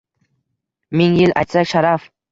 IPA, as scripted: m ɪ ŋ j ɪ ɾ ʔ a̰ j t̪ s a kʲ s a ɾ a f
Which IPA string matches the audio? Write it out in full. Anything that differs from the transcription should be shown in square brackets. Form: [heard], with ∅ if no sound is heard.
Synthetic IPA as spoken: m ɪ ŋ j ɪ [l] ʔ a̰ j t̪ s a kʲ [ʃ] a ɾ a f